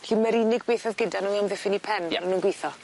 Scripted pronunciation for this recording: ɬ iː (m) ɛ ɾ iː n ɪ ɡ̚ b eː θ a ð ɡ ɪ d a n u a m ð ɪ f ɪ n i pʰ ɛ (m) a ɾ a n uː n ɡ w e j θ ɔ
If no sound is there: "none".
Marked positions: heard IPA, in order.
m, n

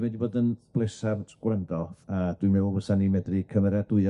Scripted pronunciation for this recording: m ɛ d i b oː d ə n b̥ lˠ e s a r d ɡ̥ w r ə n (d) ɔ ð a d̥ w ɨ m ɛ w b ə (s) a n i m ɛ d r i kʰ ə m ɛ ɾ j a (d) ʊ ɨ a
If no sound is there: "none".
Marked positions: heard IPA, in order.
d, s, d

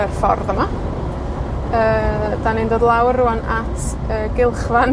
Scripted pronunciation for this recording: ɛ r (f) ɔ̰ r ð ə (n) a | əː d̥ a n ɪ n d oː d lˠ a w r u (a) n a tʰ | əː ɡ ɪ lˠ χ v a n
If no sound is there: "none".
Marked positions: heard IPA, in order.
f, m, a

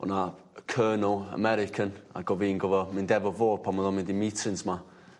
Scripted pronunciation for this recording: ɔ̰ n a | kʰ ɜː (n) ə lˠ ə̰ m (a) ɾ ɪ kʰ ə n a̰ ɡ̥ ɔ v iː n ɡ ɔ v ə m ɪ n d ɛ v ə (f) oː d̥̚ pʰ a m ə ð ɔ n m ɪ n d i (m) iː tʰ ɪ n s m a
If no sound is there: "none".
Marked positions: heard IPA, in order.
n, ɛ, v, m

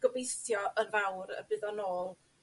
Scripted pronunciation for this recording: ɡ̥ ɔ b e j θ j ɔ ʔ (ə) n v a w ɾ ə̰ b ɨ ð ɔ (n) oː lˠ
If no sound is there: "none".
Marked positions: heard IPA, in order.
ə, n

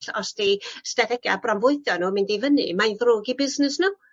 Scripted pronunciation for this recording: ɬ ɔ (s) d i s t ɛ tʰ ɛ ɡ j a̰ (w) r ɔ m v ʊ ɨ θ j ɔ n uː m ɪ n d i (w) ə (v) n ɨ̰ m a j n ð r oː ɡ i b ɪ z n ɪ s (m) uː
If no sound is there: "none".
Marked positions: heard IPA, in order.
s, b, v, none, n

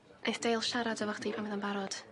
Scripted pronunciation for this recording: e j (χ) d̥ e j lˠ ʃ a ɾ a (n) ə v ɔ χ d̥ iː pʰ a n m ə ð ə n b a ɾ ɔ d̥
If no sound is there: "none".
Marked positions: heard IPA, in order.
θ, d

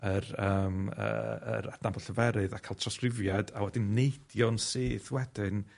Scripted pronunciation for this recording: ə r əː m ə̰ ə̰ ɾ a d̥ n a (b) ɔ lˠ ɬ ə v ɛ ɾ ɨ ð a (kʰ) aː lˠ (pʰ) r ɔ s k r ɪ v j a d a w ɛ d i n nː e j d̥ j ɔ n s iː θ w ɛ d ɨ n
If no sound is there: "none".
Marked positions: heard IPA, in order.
b, kʰ, tʰ

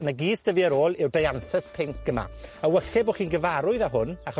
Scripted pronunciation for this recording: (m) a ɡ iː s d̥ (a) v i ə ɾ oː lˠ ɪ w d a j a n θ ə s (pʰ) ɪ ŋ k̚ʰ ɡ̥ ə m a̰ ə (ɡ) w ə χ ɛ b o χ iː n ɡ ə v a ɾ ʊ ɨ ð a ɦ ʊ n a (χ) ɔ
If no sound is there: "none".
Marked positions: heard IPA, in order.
n, ə, pʰ, none, χ

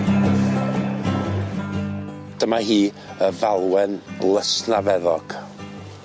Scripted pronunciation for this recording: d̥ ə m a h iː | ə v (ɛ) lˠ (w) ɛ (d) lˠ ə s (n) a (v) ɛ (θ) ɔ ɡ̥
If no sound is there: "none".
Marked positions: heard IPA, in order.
a, w, n, n, v, ð

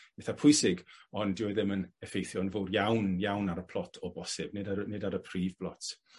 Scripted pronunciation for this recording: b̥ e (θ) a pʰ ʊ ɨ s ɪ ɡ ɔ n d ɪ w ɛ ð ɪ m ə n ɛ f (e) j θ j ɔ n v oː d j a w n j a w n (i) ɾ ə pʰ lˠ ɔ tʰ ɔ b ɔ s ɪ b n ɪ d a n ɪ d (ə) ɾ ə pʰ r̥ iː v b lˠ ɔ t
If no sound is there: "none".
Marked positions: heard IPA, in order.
θ, e, a, a

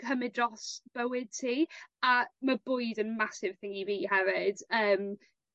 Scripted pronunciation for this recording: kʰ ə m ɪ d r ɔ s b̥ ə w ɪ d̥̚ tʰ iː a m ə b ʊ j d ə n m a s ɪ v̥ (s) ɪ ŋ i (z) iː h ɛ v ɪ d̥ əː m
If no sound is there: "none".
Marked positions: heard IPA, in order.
θ, v

